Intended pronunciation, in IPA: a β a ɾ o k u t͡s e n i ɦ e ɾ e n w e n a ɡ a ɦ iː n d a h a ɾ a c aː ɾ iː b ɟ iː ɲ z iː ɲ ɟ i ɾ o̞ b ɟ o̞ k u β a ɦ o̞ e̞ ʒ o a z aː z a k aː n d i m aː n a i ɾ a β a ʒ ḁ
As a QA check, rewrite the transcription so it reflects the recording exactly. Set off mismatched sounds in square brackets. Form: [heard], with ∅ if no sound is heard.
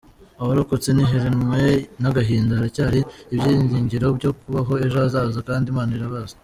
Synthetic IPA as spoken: a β a ɾ o k [o] t͡s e n i ɦ e ɾ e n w e n a ɡ a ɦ iː n d a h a ɾ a c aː ɾ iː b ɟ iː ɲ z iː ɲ ɟ i ɾ o̞ b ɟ o̞ k u β a ɦ o̞ e̞ ʒ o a z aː z a k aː n d i m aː n a i ɾ a β a [z] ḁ

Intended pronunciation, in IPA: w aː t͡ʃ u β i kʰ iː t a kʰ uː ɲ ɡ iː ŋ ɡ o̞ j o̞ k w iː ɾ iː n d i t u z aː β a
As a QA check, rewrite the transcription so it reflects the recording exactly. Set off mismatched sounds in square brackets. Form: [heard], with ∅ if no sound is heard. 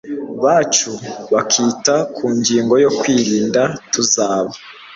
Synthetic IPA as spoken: [β] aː t͡ʃ u β [a] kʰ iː t a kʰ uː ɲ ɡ iː ŋ ɡ o̞ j o̞ k w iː ɾ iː n d [a] t u z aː β a

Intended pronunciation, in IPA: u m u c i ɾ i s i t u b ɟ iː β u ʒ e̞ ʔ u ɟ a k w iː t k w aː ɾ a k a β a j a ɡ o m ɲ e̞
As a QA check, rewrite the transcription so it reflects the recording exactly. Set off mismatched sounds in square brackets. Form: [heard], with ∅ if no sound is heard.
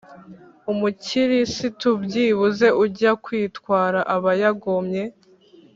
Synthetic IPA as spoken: u m u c i ɾ i s i t u b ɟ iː β u [z] e̞ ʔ u ɟ a k w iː t k w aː ɾ a [ʔ] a β a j a ɡ o m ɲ e̞

